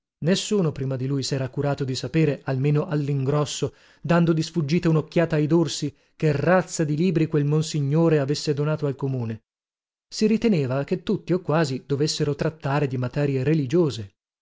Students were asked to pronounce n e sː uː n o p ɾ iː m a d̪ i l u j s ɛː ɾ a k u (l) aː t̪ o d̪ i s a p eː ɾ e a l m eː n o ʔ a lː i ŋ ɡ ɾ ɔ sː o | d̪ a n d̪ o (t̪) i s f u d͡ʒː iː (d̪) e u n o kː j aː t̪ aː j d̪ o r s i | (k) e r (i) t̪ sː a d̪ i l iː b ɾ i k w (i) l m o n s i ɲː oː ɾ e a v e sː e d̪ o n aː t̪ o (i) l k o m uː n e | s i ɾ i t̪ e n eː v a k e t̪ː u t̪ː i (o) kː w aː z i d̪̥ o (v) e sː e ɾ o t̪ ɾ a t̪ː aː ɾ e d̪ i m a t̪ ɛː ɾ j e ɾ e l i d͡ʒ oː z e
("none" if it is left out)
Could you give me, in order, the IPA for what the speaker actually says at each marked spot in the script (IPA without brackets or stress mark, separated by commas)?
ɾ, d̪, t̪, k, a, e, a, o, v